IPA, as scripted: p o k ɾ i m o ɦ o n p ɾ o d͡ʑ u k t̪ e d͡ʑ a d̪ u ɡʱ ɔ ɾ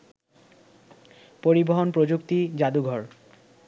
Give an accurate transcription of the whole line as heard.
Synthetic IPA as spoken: p o ɾ i b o ɦ o n p ɾ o d͡ʑ u k t̪ i d͡ʑ a d̪ u ɡʱ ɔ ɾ

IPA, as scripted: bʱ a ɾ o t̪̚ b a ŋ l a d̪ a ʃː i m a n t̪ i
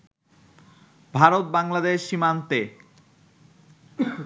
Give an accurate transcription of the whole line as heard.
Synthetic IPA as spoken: bʱ a ɾ o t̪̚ b a ŋ l a d̪ e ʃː i m a n t̪ e

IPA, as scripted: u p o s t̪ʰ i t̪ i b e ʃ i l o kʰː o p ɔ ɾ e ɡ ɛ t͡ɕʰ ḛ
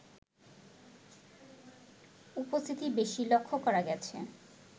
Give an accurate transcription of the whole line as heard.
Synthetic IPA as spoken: u p o s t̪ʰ i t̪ i b e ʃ i l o kʰː o k ɔ ɾ a ɡ ɛ t͡ɕʰ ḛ

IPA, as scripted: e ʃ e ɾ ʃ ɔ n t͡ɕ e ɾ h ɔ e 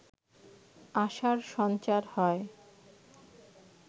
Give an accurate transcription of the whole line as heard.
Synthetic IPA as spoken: a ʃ a ɾ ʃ ɔ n t͡ɕ a ɾ h ɔ e

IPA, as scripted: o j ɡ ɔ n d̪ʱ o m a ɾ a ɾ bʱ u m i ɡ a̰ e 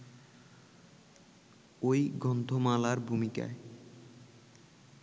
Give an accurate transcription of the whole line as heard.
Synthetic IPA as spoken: o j ɡ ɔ n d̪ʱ o m a l a ɾ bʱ u m i k a̰ e

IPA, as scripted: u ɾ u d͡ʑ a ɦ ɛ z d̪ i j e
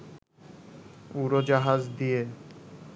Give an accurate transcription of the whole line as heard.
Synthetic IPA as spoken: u ɾ o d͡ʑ a ɦ a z d̪ i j e

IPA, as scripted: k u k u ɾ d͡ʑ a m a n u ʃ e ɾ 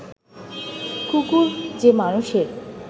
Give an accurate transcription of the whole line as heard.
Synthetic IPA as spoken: k u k u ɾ d͡ʑ e m a n u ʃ e ɾ

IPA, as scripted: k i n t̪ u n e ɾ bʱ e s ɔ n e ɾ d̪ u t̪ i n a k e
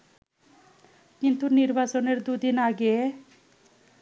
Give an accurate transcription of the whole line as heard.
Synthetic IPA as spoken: k i n t̪ u n i ɾ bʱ a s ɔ n e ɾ d̪ u d̪ i n a ɡ e

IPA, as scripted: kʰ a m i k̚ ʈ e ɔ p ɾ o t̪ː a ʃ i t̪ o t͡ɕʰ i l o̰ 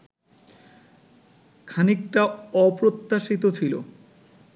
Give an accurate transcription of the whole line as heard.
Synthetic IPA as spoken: kʰ a n i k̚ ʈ a ɔ p ɾ o t̪ː a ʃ i t̪ o t͡ɕʰ i l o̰

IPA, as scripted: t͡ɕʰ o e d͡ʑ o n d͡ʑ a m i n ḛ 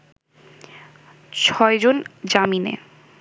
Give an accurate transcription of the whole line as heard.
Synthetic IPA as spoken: t͡ɕʰ ɔ e d͡ʑ o n d͡ʑ a m i n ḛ

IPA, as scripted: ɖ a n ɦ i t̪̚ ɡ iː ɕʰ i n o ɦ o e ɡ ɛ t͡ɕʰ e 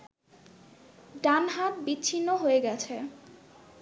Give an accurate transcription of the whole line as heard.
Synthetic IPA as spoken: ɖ a n ɦ a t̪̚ b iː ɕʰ i nː o ɦ o e ɡ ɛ t͡ɕʰ e

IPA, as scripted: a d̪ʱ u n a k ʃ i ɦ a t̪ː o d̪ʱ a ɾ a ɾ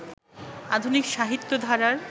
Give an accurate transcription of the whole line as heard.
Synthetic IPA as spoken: a d̪ʱ u n i k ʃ a ɦ i t̪ː o d̪ʱ a ɾ a ɾ

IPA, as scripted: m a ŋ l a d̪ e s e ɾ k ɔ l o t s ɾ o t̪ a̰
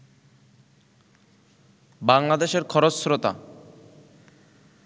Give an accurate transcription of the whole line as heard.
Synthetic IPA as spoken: b a ŋ l a d̪ e ʃ e ɾ kʰ ɔ ɾ o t s ɾ o t̪ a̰

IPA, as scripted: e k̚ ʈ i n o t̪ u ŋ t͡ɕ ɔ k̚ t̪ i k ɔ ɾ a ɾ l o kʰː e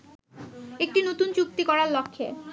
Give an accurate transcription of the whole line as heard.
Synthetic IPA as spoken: e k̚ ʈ i n o t̪ u n t͡ɕ u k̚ t̪ i k ɔ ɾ a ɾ l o kʰː e

